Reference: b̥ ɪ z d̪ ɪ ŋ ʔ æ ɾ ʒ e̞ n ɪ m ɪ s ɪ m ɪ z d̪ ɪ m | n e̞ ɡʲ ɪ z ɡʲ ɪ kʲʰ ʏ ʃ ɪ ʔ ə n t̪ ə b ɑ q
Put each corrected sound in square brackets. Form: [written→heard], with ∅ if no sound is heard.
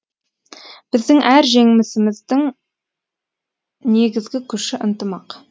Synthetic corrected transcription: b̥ ɪ z d̪ ɪ ŋ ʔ æ ɾ ʒ e̞ [n→ŋ] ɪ m ɪ s ɪ m ɪ z d̪ ɪ [m→ŋ] | n e̞ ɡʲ ɪ z ɡʲ ɪ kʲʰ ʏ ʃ ɪ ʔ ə n t̪ ə [b→m] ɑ q